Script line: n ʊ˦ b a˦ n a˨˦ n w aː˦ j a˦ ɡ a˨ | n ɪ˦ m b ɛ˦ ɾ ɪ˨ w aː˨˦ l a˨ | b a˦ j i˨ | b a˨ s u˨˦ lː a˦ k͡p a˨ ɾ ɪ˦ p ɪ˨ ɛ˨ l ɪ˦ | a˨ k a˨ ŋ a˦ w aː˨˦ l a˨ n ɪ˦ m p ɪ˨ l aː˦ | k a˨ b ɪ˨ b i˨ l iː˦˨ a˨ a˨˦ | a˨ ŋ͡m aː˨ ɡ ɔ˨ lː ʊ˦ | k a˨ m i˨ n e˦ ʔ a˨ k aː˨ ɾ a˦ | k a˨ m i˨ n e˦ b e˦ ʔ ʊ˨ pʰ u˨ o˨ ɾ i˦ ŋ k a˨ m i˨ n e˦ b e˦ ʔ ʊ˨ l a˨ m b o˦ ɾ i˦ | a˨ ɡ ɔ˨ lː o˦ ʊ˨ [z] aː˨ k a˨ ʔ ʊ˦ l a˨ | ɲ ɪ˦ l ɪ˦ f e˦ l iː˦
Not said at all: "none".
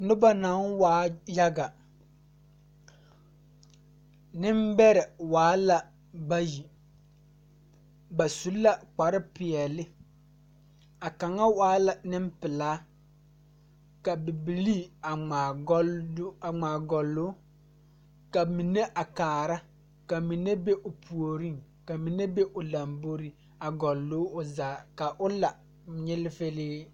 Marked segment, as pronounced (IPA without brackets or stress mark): z